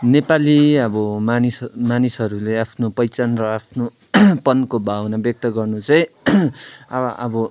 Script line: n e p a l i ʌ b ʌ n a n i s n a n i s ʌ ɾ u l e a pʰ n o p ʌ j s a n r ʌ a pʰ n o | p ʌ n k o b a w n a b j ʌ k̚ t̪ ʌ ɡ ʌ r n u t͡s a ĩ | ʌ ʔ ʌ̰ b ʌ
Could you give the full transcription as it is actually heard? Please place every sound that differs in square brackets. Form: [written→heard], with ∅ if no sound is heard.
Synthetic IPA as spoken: n e p a l i ʌ b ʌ [n→m] a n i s [n→m] a n i s ʌ ɾ u l e a pʰ n o p ʌ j [s→t͡s] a n r ʌ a pʰ n o | p ʌ n k o b a w n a b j ʌ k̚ t̪ ʌ ɡ ʌ r n u t͡s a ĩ | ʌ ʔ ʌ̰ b ʌ